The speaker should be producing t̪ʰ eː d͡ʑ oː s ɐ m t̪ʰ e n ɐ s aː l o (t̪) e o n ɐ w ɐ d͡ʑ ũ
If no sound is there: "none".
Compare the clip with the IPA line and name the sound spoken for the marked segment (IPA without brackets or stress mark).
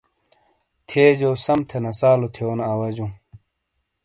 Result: t̪ʰ